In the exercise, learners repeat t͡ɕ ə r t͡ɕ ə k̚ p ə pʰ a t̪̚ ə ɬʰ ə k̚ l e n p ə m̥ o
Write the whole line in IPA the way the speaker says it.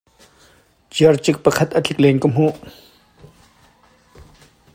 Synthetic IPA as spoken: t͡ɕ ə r t͡ɕ ə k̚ p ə kʰ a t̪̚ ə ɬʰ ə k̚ l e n k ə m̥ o